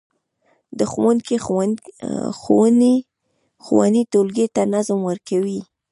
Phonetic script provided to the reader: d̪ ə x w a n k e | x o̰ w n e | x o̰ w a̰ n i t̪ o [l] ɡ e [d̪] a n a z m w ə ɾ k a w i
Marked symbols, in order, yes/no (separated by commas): yes, no